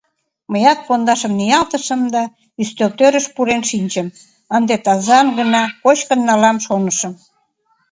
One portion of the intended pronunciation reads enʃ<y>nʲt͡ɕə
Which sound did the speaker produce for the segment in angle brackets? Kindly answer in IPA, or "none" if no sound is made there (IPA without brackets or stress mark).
i